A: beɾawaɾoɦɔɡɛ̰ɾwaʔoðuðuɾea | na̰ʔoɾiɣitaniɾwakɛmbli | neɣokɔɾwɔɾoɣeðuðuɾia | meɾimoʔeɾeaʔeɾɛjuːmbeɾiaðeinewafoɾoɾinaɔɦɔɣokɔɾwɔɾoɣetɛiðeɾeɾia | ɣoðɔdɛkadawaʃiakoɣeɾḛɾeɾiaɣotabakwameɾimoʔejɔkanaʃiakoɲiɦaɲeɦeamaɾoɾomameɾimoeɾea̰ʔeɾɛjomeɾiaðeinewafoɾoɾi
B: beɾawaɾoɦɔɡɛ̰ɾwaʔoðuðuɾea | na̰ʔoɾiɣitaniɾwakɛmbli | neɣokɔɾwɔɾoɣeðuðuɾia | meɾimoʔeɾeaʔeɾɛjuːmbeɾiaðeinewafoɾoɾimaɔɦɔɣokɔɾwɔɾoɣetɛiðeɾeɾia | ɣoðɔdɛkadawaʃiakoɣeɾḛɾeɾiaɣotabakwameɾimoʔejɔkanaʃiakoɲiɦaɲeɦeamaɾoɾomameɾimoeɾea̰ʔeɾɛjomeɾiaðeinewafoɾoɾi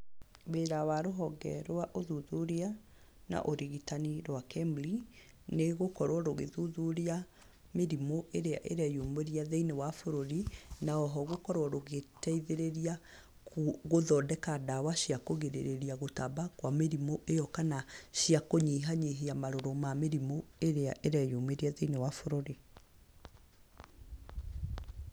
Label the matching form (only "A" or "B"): A